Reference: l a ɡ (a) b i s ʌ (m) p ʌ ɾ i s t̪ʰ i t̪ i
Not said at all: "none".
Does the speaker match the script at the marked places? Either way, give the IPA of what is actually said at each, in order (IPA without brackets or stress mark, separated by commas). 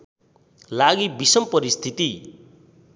i, m